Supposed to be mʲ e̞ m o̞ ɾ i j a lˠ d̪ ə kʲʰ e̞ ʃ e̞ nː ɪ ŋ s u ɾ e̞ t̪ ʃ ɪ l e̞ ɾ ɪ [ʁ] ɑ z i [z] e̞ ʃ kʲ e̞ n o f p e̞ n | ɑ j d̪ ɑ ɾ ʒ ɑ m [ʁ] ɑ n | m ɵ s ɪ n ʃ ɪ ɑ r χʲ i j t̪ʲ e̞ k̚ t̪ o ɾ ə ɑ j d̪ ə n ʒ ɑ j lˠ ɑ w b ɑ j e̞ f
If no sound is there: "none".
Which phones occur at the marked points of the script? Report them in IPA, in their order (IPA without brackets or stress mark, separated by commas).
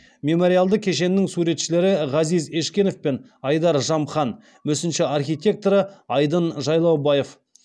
ʁ, z, χ